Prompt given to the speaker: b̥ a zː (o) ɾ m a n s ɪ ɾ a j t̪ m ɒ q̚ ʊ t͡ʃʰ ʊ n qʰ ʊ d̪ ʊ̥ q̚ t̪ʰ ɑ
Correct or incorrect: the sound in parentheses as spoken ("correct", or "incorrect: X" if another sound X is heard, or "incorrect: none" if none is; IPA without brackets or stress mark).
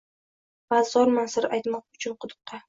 incorrect: ɒ